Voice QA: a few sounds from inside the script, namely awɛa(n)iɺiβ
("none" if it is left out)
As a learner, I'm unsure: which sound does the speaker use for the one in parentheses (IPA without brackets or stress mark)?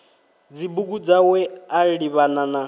none